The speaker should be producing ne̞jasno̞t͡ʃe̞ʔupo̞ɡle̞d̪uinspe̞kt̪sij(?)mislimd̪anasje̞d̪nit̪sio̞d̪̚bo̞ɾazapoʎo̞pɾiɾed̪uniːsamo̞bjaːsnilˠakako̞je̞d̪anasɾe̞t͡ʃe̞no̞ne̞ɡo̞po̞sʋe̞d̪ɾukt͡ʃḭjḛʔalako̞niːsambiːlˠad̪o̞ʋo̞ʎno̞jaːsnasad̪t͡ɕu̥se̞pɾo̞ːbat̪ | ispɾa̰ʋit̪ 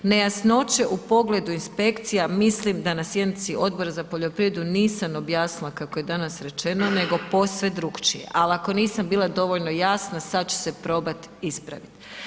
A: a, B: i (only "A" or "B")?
A